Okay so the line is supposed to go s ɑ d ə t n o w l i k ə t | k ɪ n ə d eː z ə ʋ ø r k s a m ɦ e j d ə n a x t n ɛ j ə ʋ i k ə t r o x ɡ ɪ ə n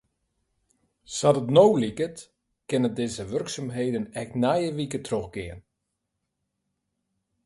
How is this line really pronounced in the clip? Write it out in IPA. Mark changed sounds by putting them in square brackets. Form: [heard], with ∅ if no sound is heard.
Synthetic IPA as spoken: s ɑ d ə t n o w l i k ə t | k ɪ n ə d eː z ə ʋ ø r k s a m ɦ e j d ə n [ɛ] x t n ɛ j ə ʋ i k ə t r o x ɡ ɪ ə n